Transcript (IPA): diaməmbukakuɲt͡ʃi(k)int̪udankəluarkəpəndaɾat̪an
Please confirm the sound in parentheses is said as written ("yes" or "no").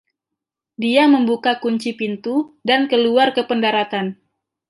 no